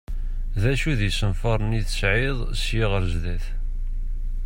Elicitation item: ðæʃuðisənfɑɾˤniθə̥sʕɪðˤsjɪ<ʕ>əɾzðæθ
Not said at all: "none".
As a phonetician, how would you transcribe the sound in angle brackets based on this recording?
ʁ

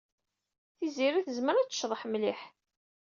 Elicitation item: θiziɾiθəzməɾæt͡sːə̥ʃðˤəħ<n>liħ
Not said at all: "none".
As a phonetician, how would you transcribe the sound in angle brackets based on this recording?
m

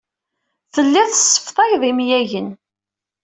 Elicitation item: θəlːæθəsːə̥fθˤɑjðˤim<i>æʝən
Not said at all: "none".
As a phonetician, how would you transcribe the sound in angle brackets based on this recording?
j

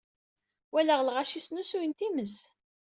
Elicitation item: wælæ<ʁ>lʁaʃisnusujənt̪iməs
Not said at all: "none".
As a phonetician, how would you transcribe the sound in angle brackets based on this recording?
ʁ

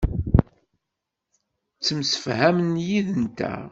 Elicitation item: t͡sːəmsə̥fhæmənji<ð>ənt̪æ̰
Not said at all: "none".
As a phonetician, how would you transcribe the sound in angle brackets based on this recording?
ð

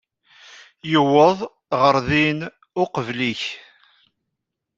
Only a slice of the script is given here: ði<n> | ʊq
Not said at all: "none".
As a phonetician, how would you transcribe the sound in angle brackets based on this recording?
n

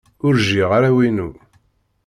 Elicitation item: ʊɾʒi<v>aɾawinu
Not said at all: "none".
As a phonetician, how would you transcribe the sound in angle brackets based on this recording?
ʁ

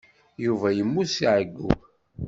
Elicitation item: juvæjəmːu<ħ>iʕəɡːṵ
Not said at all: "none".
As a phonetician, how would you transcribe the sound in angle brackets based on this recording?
s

